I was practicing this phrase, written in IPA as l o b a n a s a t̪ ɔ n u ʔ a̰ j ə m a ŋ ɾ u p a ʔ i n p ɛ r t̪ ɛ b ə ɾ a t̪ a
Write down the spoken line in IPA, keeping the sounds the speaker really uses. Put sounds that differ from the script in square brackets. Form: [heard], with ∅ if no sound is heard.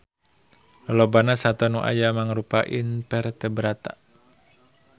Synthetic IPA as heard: l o b a n a s a t̪ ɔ n u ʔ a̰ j [a] m a ŋ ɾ u p a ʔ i n p ɛ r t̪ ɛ b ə ɾ a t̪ a